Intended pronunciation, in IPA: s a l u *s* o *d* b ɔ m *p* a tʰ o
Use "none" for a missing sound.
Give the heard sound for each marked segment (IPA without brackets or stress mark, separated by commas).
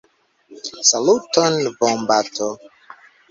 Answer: t, n, b